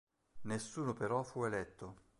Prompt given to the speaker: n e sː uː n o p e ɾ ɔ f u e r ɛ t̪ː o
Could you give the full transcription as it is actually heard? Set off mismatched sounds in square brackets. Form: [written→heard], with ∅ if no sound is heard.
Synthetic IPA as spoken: n e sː uː n o p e ɾ ɔ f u e [r→l] ɛ t̪ː o